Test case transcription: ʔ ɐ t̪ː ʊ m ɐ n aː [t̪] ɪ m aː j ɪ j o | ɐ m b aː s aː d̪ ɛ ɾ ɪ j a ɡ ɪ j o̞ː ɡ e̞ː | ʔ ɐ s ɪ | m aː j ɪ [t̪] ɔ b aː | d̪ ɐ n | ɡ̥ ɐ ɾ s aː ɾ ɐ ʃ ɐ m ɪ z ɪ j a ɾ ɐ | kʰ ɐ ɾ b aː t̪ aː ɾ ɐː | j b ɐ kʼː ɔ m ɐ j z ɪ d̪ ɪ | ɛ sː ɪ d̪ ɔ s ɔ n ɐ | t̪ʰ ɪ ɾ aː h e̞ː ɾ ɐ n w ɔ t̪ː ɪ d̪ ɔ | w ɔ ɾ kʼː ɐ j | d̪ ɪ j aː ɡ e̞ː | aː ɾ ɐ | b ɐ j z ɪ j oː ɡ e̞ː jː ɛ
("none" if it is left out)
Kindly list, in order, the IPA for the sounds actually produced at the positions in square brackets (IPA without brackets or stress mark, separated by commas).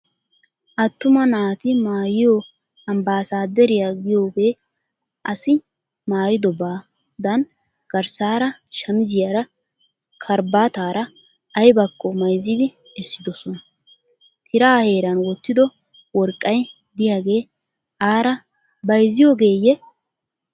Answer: t̪, d̪